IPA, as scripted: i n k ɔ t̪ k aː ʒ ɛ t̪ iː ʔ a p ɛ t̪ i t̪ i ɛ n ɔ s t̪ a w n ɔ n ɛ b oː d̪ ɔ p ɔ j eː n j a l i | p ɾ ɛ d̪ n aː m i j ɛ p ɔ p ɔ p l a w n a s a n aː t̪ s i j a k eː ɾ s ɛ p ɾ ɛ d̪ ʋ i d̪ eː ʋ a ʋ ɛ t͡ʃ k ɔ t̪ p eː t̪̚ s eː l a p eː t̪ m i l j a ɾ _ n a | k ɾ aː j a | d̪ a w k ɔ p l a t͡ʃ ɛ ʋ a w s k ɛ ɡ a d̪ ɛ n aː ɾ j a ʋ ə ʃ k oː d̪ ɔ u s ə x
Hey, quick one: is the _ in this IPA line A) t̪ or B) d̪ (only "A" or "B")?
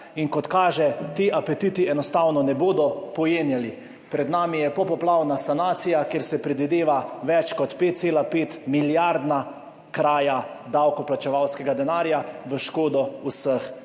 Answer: B